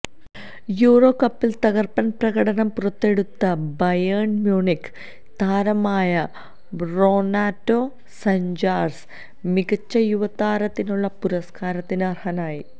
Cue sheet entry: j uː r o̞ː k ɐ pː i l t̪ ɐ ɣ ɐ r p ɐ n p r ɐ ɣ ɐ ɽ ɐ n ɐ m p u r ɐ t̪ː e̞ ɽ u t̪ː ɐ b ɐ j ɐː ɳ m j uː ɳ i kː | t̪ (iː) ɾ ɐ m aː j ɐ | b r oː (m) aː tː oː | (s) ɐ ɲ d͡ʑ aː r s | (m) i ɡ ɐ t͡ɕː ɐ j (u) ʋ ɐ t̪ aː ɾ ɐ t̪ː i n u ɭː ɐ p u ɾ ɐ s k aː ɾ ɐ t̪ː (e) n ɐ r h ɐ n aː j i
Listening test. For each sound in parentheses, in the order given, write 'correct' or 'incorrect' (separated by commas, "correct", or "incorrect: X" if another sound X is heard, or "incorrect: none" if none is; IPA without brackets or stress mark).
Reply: incorrect: aː, incorrect: n, correct, correct, correct, incorrect: i